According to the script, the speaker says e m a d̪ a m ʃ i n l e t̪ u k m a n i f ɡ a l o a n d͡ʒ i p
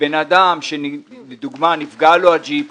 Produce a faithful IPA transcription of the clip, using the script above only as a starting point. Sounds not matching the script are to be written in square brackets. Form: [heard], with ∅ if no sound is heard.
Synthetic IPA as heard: e [n] a d̪ a m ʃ [e] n l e [d̪] u [ɡ] m a n i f ɡ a l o a [∅] d͡ʒ i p

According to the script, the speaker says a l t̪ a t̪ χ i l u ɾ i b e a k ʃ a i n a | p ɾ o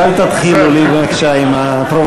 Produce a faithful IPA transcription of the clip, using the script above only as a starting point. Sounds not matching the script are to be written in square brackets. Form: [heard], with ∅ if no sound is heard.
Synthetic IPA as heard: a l t̪ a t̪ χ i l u [l] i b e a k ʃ a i [m] a | p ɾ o

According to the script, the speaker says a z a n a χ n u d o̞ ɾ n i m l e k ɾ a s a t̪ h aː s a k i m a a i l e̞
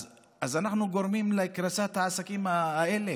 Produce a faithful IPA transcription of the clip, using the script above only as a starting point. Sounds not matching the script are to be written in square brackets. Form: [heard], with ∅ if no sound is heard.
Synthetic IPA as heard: a z a n a χ n u [ɡ] o̞ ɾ [m] i m l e k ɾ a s a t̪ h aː s a k i m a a [e] l e̞

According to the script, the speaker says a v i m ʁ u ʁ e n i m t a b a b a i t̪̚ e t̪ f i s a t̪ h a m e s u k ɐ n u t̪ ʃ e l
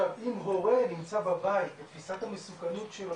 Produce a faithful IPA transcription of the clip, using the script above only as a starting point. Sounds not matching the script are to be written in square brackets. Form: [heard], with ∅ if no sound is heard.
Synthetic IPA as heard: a v i m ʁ [o] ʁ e n i m [t͡s] a b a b a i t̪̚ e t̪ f i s a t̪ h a m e s u k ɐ n u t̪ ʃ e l

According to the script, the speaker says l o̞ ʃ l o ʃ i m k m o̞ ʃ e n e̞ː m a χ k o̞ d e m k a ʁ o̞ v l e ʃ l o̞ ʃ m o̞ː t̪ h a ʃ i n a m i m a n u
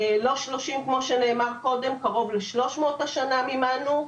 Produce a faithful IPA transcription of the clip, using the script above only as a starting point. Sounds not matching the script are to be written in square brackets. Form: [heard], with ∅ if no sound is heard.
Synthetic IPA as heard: l o̞ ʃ l o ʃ i m k m o̞ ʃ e n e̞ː m a [ʁ] k o̞ d e m k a ʁ o̞ v l e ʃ l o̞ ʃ m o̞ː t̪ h a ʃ [a] n a m i m a n u

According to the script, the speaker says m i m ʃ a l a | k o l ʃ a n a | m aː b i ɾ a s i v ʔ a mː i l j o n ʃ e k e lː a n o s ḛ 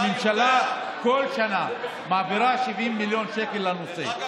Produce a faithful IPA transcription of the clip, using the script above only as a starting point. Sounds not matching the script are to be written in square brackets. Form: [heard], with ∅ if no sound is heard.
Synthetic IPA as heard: m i m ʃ a l a | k o l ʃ a n a | m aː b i ɾ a [ʃ] i v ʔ [i] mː i l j o n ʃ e k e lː a n o s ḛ

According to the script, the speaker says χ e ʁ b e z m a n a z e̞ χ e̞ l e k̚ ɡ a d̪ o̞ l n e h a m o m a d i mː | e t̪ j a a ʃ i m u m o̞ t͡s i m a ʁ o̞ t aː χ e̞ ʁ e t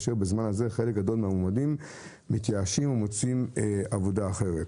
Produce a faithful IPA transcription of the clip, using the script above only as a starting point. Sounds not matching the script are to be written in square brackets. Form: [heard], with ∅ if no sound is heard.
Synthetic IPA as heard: [ʃ] e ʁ b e z m a n a z e̞ χ e̞ l e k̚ ɡ a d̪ o̞ l [m] e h a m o m a d i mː | [i] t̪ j a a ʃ i m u m o̞ t͡s i m a [v] o̞ [d] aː χ e̞ ʁ e t

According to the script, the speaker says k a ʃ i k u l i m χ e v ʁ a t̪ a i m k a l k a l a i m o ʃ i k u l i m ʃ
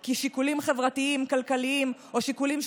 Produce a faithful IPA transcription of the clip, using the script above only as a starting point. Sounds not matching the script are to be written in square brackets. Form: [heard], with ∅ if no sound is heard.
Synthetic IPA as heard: k [i] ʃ i k u l i m χ e v ʁ a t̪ [i] i m k a l k a l [i] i m o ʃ i k u l i m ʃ

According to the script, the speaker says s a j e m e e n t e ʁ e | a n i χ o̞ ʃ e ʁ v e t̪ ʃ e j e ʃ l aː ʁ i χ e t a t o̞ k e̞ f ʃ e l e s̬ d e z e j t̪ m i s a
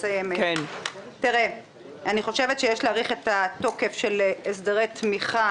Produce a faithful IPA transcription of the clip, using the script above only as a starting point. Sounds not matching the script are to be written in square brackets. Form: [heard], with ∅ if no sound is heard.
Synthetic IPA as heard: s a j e m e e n t [i] ʁ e | a n i χ o̞ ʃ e [∅] v e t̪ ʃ e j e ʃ l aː ʁ i χ e t a t o̞ k e̞ f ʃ e l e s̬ d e [ʁ] e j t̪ m i [χ] a

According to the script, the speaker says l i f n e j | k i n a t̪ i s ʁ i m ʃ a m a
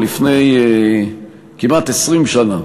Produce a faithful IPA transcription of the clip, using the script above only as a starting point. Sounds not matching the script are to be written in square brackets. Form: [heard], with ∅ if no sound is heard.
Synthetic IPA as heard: l i f n e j | k i [m] a t̪ [e] s ʁ i m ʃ a [n] a

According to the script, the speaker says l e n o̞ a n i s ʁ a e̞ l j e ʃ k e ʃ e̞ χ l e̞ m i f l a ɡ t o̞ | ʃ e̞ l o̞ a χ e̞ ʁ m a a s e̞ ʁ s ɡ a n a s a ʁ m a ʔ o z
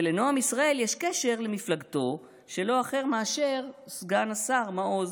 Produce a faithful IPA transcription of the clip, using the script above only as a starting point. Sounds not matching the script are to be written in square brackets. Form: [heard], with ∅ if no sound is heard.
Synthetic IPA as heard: l e n o̞ a [m] i s ʁ a e̞ l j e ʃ k e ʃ e̞ [ʁ] l e̞ m i f l a ɡ t o̞ | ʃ e̞ l o̞ a χ e̞ ʁ m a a [ʃ] e̞ ʁ s ɡ a n a s a ʁ m a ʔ o z

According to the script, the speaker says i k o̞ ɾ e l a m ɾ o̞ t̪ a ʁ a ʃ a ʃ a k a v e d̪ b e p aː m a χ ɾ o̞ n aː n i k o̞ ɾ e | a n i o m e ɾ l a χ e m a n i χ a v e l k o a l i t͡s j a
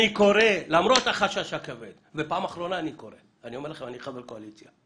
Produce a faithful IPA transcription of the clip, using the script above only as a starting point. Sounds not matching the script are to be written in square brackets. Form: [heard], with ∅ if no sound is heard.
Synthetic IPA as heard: i k o̞ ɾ e l a m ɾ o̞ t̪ a [χ] a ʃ a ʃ a k a v e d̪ [v] e p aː m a χ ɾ o̞ n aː n i k o̞ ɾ e | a n i o m e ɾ l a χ e m a n i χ a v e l k o a l i t͡s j a

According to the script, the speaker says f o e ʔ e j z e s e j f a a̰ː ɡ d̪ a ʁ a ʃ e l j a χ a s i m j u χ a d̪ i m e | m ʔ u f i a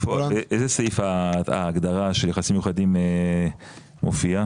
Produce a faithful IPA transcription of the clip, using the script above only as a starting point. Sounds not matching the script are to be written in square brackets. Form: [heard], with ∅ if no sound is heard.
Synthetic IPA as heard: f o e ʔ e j z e s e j f a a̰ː ɡ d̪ a ʁ a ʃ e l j a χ a s i m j u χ a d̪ i m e | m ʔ [o] f i a

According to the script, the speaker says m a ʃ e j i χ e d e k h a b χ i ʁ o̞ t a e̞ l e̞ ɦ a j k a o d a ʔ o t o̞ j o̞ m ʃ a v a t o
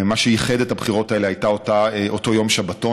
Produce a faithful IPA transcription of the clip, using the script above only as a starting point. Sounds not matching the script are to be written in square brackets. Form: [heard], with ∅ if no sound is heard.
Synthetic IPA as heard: m a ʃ e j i χ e d e [t] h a b χ i ʁ o̞ t a e̞ l e̞ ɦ a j [t] a o [t] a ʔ o t o̞ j o̞ m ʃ a [b] a t o

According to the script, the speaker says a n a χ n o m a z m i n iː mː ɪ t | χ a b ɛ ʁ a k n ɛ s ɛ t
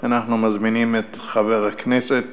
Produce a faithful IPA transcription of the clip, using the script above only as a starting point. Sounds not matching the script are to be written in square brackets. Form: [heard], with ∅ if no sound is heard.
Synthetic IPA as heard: a n a χ n [u] m a z m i n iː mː ɪ t | χ a [v] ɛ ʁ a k n ɛ s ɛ t

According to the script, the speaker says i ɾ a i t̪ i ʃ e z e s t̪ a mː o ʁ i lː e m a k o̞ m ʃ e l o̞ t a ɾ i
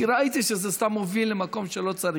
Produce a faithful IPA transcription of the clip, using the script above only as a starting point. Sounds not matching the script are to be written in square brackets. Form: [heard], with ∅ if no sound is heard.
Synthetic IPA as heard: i ɾ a i t̪ i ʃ e z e s t̪ a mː o [v] i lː e m a k o̞ m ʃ e l o̞ [t͡s] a ɾ i

